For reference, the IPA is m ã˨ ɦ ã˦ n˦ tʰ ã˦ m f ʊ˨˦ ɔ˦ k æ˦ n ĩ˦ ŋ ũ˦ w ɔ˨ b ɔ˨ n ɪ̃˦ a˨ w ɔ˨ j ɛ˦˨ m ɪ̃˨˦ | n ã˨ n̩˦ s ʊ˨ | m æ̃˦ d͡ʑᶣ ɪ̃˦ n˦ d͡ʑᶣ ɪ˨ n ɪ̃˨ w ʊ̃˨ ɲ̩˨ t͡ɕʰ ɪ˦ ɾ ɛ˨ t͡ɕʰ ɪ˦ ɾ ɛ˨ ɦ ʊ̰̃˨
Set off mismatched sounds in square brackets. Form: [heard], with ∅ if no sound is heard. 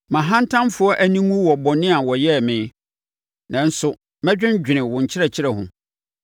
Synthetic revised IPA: m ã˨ ɦ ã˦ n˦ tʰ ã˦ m f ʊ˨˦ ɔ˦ [ʔ] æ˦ n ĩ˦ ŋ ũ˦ w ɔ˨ b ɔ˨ n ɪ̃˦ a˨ w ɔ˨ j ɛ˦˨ m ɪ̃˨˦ | n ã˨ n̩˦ s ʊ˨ | m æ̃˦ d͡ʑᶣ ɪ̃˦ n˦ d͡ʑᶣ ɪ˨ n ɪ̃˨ w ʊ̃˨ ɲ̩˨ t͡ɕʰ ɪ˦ ɾ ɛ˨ t͡ɕʰ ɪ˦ ɾ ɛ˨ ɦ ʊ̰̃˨

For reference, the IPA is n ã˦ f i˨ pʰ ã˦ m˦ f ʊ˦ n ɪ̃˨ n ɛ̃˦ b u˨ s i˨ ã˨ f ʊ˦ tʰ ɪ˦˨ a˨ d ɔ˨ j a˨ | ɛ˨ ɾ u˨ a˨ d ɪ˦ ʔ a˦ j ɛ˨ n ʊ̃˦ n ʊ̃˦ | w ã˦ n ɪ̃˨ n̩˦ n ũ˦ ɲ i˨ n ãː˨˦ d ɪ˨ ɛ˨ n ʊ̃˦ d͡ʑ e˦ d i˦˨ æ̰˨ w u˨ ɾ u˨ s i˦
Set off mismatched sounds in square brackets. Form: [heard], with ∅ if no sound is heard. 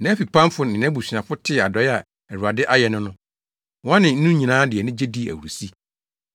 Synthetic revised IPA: n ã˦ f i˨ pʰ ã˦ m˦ f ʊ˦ n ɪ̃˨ n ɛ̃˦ b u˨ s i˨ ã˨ f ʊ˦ tʰ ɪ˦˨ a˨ d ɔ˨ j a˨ | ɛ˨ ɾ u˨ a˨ d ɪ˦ ʔ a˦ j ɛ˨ n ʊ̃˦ n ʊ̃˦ | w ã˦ n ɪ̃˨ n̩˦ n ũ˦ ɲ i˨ n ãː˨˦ d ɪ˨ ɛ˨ n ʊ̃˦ d͡ʑ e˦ d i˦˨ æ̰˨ w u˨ ɾ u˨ s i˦

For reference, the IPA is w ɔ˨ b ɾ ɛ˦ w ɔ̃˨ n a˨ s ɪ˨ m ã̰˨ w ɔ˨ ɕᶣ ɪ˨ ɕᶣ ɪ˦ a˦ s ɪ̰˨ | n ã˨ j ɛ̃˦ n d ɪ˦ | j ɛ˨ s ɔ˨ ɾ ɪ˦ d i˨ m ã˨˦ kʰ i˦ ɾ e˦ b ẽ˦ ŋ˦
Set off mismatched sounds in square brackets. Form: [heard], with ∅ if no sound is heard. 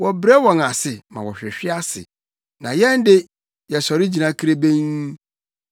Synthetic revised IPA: w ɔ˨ b ɾ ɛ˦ w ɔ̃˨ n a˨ s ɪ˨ m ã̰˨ w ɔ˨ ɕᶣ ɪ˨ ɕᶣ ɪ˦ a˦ s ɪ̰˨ | n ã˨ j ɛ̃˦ n d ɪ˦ | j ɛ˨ s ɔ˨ ɾ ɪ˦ [d͡ʑ] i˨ [n] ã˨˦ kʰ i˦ ɾ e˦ b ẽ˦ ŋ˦

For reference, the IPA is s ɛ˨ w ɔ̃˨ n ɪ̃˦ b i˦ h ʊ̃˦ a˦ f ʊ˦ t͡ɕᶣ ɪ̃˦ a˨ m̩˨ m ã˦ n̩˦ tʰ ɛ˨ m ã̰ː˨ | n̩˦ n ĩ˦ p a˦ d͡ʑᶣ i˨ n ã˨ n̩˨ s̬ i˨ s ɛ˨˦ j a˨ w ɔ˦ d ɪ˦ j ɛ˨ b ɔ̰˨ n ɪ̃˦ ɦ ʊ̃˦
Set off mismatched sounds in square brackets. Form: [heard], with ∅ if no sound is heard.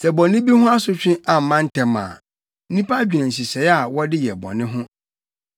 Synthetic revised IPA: s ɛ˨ [b] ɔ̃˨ n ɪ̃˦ b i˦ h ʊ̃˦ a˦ [s] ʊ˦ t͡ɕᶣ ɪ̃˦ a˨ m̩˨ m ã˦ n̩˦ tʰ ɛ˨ m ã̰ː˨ | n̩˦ n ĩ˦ p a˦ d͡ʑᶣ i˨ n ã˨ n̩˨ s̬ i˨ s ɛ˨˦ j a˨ w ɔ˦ d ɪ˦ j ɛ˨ b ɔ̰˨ n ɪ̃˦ ɦ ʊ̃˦

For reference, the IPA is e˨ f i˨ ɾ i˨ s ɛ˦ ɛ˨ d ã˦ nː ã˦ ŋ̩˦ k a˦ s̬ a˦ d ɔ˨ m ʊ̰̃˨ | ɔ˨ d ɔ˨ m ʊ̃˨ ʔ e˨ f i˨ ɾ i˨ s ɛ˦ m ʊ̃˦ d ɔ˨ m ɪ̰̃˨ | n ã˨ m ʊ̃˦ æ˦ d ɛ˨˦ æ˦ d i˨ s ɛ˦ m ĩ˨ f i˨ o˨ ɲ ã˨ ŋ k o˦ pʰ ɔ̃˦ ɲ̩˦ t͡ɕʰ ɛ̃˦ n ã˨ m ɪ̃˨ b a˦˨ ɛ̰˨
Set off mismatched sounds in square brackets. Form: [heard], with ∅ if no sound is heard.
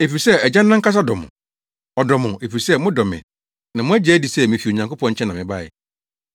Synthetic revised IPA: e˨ f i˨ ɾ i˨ s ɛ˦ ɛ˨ [d͡ʑ] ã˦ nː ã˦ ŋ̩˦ k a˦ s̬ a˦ d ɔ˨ m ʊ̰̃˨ | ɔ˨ d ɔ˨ m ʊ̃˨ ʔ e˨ f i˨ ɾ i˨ s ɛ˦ m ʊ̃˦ d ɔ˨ m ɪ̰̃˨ | n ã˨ m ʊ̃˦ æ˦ [d͡ʑ] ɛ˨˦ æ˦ d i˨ s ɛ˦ m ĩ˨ f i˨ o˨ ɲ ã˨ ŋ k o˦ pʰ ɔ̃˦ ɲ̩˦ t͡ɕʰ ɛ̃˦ n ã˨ m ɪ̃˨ b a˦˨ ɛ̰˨

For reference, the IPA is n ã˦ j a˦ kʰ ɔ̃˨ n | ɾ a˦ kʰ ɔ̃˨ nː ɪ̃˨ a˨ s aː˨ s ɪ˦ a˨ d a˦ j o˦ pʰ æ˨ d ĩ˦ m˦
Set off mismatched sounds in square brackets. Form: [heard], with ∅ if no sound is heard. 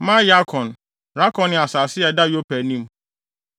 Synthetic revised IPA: [m] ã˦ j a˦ kʰ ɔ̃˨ n | ɾ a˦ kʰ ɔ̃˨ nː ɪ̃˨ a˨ s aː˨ s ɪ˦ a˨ d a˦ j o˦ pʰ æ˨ [n] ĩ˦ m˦

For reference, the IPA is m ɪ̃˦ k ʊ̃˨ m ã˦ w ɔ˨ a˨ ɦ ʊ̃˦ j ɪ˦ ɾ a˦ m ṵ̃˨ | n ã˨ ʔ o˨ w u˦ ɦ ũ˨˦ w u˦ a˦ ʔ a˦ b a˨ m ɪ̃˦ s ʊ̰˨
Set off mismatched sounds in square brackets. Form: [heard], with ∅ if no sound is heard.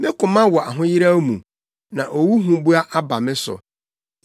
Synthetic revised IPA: m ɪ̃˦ k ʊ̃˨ m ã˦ w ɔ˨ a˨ ɦ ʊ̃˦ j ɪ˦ ɾ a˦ m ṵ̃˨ | n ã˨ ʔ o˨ w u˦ ɦ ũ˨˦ [b] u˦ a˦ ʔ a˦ b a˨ m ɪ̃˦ s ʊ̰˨

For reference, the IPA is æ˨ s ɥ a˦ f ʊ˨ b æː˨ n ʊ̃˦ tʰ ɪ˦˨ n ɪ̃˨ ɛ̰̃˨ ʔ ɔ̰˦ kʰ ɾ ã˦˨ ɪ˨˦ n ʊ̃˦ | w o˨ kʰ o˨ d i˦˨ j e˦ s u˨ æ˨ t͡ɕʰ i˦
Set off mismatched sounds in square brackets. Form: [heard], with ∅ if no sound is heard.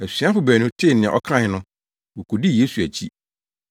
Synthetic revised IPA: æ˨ s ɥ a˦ f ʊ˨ b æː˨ n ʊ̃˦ tʰ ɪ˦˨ n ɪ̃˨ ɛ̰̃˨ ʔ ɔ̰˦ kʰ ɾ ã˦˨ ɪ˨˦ n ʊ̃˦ | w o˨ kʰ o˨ d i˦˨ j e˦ s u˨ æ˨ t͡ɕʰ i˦

